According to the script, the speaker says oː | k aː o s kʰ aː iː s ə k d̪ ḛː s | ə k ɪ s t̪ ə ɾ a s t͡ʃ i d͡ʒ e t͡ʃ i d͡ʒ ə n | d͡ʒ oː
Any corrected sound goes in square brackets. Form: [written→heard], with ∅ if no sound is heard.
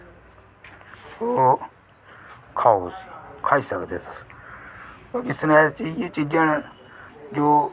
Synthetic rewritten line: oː | [k→kʰ] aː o s kʰ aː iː s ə k d̪ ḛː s | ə k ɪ s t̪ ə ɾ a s t͡ʃ i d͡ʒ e t͡ʃ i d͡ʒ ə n | d͡ʒ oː